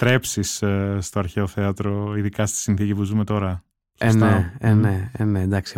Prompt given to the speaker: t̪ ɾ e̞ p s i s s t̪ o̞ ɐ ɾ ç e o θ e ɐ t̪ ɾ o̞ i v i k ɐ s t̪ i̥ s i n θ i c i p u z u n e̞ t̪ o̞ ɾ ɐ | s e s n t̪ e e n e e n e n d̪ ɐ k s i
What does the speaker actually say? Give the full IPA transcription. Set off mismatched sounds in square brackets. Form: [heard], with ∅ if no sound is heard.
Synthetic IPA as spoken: t̪ ɾ e̞ p s i s s t̪ o̞ ɐ ɾ ç e o θ e ɐ t̪ ɾ o̞ i [ð] i k ɐ s t̪ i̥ s i n θ i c i p u z u [m] e̞ t̪ o̞ ɾ ɐ | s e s n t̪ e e n e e n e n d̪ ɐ k s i